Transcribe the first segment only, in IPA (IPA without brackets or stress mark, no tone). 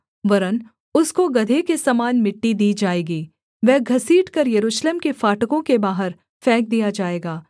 ʋ